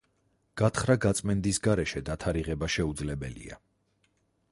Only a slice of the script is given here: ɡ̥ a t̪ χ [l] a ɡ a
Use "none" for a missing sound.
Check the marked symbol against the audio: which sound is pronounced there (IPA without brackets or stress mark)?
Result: ɾ